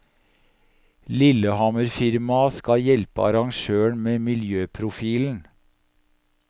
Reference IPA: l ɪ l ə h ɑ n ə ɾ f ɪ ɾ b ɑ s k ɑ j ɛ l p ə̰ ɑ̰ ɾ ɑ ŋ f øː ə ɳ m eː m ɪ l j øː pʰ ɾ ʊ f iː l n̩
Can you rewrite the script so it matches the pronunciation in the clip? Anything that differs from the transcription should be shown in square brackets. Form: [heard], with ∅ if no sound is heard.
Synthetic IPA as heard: l ɪ l ə h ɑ [m] ə ɾ f ɪ ɾ [m] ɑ s k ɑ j ɛ l p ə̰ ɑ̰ ɾ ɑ ŋ [ʃ] øː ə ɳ m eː m ɪ l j øː pʰ ɾ ʊ f iː l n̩